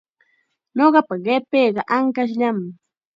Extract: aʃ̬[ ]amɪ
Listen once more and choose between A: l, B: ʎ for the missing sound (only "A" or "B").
B